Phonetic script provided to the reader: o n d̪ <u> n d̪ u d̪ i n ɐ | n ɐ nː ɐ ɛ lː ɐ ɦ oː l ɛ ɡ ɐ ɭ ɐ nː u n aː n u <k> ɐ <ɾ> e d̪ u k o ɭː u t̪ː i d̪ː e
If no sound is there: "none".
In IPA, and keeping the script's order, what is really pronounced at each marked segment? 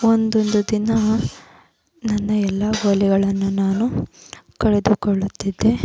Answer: o, k, ɭ

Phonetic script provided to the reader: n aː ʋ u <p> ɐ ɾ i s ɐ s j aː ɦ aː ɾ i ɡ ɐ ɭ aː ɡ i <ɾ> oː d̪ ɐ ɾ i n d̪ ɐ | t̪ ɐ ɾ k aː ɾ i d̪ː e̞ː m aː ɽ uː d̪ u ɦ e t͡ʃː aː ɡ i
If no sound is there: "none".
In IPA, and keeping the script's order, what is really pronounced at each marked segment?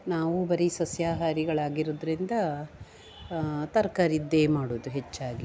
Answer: b, ɾ

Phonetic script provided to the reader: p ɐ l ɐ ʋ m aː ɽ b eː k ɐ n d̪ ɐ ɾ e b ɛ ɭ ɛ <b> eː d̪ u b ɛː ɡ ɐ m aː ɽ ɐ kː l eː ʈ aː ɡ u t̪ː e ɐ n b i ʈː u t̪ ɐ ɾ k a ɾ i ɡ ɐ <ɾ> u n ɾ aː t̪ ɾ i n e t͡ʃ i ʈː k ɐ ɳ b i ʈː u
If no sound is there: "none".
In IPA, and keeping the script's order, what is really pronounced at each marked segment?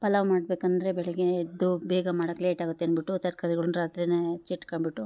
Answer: ɡ, ɭ

